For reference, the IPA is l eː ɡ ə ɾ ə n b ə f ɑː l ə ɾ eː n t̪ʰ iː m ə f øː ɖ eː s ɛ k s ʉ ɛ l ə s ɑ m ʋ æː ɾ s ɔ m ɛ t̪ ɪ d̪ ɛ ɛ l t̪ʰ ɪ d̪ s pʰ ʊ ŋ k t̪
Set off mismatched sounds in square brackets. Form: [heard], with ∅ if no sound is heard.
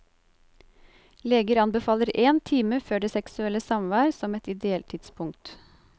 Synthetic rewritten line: l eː ɡ ə ɾ [ɑ] n b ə f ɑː l ə ɾ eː n t̪ʰ iː m ə f øː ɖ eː s ɛ k s ʉ ɛ l ə s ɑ m ʋ æː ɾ s ɔ m ɛ t̪ ɪ d̪ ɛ ɛ l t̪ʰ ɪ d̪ s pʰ ʊ ŋ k t̪